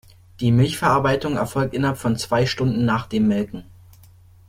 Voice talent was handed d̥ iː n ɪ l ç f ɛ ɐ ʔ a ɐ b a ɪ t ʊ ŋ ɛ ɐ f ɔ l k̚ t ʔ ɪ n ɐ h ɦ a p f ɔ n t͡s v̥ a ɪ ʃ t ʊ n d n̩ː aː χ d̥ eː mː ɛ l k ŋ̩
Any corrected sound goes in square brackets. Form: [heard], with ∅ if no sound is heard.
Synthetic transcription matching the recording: d̥ iː [m] ɪ l ç f ɛ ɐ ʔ a ɐ b a ɪ t ʊ ŋ ɛ ɐ f ɔ l k̚ t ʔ ɪ n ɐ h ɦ a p f ɔ n t͡s v̥ a ɪ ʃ t ʊ n d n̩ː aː χ d̥ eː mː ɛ l k ŋ̩